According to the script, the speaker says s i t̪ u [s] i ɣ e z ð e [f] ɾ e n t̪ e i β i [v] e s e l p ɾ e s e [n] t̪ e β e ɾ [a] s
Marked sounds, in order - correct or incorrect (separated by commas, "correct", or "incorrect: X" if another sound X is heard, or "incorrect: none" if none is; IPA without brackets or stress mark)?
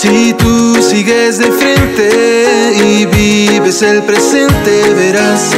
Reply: correct, correct, incorrect: β, correct, correct